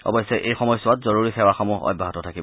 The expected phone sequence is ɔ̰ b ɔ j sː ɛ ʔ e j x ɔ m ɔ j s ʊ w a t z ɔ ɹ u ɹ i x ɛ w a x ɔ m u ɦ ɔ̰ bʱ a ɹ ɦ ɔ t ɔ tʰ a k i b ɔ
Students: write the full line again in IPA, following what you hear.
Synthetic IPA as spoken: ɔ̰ b ɔ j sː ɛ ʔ e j x ɔ m ɔ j s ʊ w a t z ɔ ɹ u ɹ i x ɛ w a x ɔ m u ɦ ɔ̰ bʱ a ɦ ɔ t ɔ tʰ a k i b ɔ